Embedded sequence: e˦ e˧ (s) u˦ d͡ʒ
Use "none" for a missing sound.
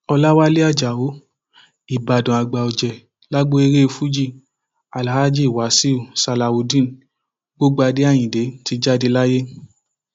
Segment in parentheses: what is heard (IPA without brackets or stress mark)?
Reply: f